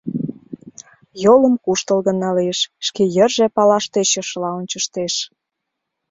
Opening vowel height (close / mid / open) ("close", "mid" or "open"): mid